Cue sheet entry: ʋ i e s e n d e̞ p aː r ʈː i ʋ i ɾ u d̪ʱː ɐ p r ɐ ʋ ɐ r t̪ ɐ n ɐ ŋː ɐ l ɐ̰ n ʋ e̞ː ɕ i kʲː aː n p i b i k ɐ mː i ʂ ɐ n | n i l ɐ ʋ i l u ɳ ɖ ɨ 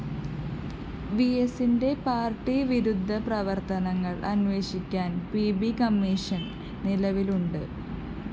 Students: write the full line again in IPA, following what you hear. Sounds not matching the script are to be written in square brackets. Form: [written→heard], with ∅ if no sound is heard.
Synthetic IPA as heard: ʋ i e s [e→i] n d e̞ p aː r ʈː i ʋ i ɾ u d̪ʱː ɐ p r ɐ ʋ ɐ r t̪ ɐ n ɐ ŋː ɐ [l→ɭ] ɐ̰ n ʋ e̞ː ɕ i kʲː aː n p i b i k ɐ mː i ʂ ɐ n | n i l ɐ ʋ i l u ɳ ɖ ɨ